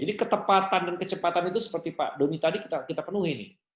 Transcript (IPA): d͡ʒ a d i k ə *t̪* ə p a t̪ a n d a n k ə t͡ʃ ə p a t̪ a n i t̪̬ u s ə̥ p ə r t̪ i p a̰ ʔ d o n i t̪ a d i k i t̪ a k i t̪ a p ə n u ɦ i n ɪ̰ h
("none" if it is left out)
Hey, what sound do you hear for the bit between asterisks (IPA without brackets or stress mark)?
t̪